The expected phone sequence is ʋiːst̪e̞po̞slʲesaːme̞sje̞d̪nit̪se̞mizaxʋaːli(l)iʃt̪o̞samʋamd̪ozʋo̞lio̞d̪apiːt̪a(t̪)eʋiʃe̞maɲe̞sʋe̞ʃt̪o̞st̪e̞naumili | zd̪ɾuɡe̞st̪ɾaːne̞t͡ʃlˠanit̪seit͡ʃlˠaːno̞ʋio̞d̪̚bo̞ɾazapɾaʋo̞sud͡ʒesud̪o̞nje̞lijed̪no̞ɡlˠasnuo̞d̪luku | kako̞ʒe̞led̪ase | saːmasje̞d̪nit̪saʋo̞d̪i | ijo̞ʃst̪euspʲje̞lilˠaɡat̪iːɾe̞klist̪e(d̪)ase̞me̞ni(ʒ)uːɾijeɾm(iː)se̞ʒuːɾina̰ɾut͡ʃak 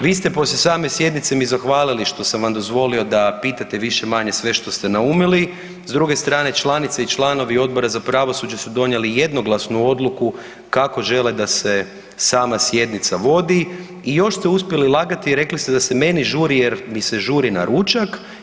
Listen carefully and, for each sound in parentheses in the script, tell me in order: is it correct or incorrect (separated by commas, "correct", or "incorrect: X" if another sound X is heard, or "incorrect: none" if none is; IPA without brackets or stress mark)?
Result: correct, correct, correct, correct, incorrect: i